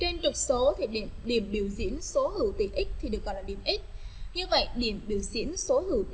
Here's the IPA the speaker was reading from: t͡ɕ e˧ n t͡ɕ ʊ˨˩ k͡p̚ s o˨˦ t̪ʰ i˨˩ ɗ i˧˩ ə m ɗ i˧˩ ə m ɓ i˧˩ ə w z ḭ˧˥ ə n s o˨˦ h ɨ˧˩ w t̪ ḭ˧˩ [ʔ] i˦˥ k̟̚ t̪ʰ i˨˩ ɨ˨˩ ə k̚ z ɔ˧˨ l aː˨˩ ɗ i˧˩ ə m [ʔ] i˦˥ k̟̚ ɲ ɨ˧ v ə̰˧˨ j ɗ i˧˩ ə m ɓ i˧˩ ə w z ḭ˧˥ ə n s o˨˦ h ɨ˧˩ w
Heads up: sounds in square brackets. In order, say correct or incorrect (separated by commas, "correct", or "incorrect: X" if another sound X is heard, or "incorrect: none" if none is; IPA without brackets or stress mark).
correct, correct